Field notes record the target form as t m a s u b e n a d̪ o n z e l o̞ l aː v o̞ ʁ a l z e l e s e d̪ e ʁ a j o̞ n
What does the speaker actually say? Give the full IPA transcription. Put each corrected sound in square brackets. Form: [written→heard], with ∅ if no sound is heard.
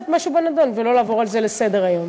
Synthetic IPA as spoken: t m a [s→ʃ] u b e n a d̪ o n [z→v] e l o̞ l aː v o̞ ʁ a l z e l e s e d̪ e ʁ a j o̞ [n→m]